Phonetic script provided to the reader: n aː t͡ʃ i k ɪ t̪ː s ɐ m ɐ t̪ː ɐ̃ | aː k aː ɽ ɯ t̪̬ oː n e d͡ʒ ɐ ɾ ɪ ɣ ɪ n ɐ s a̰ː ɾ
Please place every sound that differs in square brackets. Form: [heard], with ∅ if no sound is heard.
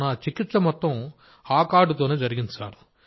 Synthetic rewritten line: n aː t͡ʃ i k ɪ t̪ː s ɐ m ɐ t̪ː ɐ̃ | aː k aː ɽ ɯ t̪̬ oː n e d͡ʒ ɐ ɾ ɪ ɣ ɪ n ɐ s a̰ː ɾ

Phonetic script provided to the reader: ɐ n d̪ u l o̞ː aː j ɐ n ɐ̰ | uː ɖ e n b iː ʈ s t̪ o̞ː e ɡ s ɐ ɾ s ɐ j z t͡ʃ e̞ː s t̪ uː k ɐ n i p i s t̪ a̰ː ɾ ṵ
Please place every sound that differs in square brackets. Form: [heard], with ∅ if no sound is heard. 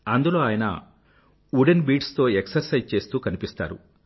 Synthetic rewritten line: ɐ n d̪ u l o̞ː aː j ɐ n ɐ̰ | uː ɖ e n b iː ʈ s t̪ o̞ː e [k] s ɐ ɾ s ɐ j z t͡ʃ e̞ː s t̪ uː k ɐ n i p i s t̪ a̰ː ɾ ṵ

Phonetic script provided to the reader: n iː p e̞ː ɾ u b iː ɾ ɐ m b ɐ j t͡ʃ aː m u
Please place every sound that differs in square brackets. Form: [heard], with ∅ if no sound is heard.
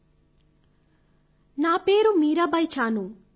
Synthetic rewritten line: n [aː] p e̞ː ɾ u [m] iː ɾ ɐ [∅] b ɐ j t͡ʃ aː [n] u

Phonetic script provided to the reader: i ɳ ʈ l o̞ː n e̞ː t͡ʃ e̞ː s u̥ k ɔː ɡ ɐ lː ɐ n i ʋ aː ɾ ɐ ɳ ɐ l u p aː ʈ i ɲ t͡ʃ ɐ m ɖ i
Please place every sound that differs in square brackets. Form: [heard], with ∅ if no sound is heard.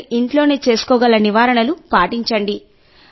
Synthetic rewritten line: i ɳ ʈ l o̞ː n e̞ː t͡ʃ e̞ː s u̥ k ɔː ɡ ɐ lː ɐ n i ʋ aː ɾ ɐ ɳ ɐ l u p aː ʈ i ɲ t͡ʃ ɐ [ɳ] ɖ i

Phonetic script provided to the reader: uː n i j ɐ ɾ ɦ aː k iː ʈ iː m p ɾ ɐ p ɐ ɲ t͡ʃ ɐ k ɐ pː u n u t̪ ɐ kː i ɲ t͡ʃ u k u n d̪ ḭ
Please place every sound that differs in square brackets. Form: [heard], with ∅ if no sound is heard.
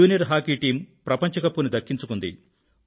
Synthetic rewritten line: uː n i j ɐ ɾ ɦ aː k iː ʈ iː m p ɾ ɐ p ɐ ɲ t͡ʃ ɐ k ɐ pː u n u [d̪] ɐ kː i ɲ t͡ʃ u k u n d̪ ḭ

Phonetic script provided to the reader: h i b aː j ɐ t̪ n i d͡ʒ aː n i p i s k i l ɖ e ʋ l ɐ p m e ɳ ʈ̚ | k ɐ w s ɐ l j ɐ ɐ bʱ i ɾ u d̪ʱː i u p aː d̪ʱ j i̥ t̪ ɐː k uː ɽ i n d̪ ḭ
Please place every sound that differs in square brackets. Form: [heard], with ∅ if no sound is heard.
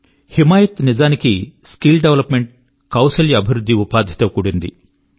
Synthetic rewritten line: h i [m] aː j ɐ t̪ n i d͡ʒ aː n i [k] i s k i l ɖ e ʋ l ɐ p m e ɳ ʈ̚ | k ɐ w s ɐ l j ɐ ɐ bʱ i ɾ u d̪ʱː i u p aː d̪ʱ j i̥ t̪ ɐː k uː ɽ i n d̪ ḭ

